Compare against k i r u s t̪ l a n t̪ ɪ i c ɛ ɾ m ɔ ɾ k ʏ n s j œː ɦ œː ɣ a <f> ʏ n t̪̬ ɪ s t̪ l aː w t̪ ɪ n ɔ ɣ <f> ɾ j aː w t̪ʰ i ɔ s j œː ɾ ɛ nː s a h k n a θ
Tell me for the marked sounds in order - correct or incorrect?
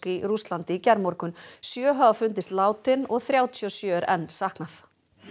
correct, incorrect

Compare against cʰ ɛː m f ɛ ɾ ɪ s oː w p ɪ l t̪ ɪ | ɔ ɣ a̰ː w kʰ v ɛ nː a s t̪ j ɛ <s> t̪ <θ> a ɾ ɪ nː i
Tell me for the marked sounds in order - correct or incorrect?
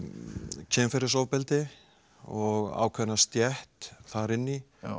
incorrect, correct

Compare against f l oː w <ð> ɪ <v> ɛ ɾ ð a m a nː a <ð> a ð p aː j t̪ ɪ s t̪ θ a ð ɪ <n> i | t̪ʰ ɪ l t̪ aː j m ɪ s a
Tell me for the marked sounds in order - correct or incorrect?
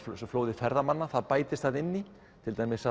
correct, incorrect, incorrect, incorrect

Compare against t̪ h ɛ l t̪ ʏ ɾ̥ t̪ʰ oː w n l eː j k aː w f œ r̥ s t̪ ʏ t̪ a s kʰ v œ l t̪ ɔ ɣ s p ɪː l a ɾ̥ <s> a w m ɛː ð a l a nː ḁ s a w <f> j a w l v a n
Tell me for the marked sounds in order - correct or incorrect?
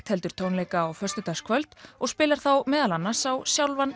incorrect, incorrect

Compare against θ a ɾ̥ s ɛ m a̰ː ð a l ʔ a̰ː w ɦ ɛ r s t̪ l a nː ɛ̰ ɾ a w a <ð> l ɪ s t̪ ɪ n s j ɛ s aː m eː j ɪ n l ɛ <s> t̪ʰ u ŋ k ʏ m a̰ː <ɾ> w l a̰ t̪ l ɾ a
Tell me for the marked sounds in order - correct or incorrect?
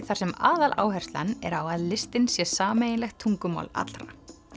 correct, incorrect, incorrect

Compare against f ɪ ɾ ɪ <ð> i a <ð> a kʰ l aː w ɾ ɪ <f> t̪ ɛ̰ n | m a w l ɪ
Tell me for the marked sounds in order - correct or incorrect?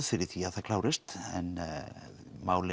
incorrect, incorrect, incorrect

